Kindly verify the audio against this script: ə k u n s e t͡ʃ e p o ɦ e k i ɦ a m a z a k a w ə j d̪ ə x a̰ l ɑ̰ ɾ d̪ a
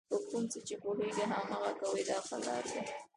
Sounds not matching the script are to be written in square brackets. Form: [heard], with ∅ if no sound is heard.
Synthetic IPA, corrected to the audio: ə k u n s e t͡ʃ e p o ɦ e [ɡ] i ɦ a m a [ɣ] a k a w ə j d̪ [ɑ] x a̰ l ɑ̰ ɾ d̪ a